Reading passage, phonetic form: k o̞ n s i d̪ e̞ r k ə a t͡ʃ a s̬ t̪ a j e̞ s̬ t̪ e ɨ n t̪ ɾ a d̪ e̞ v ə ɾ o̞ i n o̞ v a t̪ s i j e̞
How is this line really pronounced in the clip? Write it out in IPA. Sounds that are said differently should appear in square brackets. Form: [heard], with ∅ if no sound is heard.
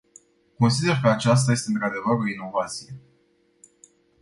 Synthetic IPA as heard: k o̞ n s i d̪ e̞ r k ə a t͡ʃ a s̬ t̪ a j e̞ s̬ t̪ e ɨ n t̪ ɾ a d̪ e̞ v ə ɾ o̞ i n o̞ v a t̪ s i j e̞